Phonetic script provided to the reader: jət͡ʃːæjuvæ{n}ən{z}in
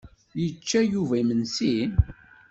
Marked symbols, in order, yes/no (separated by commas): no, no